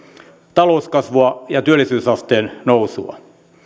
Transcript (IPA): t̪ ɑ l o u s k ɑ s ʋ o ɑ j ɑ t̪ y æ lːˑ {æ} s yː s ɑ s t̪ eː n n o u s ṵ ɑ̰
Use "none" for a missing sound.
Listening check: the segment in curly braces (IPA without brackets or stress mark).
i